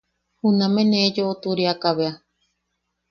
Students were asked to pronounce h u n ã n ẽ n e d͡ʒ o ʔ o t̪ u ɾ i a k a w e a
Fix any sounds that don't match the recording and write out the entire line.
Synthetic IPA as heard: h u n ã m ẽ n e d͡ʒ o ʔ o t̪ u ɾ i a k a β e a

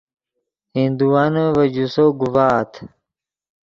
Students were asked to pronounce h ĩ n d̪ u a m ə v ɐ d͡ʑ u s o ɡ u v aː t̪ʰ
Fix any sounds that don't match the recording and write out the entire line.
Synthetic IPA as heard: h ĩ n d̪ u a n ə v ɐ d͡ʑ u s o ɡ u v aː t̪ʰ

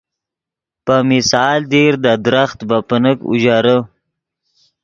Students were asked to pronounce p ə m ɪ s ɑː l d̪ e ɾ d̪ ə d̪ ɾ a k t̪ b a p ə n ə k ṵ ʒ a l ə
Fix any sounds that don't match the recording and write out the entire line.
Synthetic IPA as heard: p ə m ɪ s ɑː l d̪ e ɾ d̪ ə d̪ ɾ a x t̪ b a p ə n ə k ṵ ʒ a ɾ ə

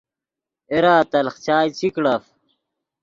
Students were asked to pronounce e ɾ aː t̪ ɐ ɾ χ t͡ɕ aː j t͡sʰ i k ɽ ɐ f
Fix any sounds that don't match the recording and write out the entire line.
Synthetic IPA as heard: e ɾ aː t̪ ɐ l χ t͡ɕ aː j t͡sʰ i k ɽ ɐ f

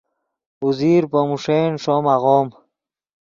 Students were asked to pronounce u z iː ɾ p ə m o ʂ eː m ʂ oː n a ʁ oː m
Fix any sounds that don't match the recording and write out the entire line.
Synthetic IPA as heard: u z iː ɾ p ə m u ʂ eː n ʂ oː m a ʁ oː m

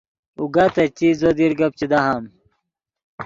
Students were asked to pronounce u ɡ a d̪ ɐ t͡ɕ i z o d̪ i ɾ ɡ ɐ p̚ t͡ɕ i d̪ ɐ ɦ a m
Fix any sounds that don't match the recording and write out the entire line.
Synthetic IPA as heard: u ɡ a t̪ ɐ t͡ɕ i z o d̪ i ɾ ɡ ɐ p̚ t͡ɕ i d̪ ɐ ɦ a m

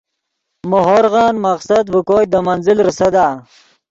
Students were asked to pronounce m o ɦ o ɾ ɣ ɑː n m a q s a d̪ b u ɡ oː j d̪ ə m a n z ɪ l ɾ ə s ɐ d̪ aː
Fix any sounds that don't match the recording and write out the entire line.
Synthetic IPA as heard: m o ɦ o ɾ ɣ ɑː n m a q s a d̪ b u k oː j d̪ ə m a n z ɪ l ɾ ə s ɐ d̪ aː

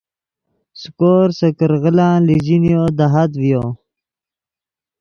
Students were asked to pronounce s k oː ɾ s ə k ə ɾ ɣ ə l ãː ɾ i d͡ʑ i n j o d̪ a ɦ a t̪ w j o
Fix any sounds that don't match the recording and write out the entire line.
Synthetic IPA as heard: s k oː ɾ s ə k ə ɾ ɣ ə l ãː l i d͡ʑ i n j o d̪ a ɦ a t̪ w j o

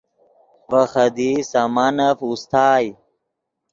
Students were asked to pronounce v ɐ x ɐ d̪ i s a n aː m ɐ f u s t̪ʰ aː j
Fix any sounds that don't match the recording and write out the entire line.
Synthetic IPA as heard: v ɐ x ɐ d̪ i s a m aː n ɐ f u s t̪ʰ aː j

